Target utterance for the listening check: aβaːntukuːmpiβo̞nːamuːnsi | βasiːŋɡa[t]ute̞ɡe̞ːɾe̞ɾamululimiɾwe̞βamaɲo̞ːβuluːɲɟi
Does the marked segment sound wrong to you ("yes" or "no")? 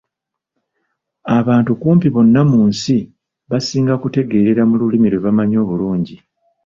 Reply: yes